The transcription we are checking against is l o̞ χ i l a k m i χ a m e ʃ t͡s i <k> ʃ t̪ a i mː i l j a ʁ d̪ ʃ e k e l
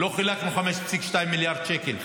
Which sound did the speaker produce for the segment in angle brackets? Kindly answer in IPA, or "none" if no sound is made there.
k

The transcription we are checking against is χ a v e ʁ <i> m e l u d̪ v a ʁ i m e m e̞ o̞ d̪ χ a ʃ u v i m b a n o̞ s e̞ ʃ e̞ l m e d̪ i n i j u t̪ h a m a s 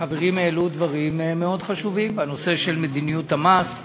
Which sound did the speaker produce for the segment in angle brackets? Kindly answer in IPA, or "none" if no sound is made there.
i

